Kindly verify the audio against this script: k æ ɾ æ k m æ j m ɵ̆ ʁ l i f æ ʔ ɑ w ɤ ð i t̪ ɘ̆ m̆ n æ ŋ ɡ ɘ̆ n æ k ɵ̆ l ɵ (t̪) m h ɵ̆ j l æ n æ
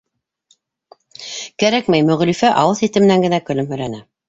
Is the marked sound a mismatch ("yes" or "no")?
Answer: yes